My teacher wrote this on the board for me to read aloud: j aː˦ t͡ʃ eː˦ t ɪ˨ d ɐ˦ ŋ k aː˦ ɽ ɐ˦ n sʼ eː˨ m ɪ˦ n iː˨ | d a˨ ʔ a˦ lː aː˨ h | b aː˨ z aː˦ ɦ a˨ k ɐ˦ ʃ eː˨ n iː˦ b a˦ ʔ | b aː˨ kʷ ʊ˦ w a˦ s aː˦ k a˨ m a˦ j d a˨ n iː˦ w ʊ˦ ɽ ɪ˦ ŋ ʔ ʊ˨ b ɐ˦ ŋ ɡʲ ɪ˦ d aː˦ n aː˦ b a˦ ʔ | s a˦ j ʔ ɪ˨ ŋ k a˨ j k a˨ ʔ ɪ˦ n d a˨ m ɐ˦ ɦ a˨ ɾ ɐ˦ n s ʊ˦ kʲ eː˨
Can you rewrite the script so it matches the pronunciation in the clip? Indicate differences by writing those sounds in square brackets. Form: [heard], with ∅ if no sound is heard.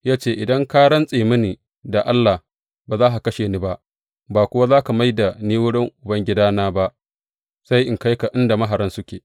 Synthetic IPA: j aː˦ t͡ʃ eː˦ [ʔ] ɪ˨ d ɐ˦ ŋ k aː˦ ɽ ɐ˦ n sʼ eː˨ m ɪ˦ n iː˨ | d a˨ ʔ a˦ lː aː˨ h | b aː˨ z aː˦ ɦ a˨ k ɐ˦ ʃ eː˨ n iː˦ b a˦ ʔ | b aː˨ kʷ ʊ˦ w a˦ [z] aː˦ k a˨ m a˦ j d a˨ n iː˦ w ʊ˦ ɽ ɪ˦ ŋ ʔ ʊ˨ b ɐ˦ ŋ ɡʲ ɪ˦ d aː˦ n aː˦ b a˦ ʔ | s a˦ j ʔ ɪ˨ ŋ k [a˦] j k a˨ ʔ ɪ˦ n d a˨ m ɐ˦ ɦ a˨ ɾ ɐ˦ n s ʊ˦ kʲ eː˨